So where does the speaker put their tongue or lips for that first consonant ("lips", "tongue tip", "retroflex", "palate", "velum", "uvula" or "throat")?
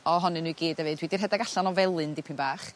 throat